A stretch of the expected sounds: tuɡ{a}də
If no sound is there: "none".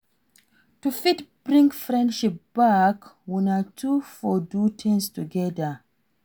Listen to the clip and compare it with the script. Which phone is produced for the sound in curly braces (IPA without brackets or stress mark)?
ɛ